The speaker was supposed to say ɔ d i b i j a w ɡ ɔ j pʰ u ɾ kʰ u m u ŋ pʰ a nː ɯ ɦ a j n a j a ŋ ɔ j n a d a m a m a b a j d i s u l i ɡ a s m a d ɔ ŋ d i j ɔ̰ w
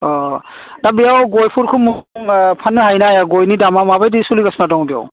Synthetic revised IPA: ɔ d a b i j a w ɡ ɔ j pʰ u ɾ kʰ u m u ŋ pʰ a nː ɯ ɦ a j n a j a ɡ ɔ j n i d a m a m a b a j d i s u l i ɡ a s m a d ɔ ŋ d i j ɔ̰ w